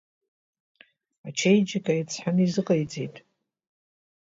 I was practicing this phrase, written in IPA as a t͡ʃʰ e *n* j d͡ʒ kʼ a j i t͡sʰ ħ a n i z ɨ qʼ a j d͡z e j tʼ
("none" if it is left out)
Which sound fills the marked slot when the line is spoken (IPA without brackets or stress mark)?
none